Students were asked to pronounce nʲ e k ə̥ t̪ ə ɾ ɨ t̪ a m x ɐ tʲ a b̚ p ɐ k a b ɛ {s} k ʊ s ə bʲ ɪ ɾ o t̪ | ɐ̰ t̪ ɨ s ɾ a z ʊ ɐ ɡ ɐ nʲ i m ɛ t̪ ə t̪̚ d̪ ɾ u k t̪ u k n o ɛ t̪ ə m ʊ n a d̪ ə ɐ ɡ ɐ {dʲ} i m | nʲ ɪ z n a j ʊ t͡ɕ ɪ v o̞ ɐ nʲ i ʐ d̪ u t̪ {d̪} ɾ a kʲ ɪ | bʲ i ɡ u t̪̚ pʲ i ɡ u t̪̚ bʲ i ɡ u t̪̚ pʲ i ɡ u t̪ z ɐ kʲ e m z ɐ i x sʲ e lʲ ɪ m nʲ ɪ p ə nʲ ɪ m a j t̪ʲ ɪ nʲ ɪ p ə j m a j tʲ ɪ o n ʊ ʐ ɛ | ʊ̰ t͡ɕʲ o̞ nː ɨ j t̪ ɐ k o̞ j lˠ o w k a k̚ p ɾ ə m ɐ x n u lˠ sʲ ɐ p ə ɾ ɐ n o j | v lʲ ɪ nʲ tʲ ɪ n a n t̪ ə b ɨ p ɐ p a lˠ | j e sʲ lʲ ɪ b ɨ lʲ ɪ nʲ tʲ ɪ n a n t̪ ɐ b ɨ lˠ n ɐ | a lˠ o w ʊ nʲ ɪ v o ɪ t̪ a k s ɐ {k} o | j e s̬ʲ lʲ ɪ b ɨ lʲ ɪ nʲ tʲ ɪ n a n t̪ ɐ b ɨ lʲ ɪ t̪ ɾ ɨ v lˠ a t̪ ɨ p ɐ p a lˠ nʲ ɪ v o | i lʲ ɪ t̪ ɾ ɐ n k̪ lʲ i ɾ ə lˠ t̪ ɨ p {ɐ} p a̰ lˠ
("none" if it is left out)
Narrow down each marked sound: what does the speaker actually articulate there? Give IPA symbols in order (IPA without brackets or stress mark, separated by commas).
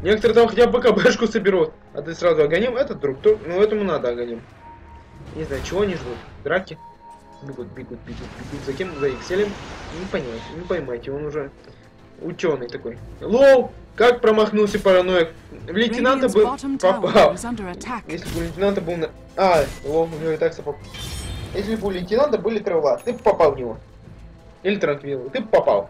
ʂ, nʲ, d̪, p, ɐ